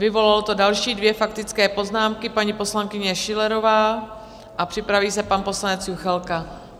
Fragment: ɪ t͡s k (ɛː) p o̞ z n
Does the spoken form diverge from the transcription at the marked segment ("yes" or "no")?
no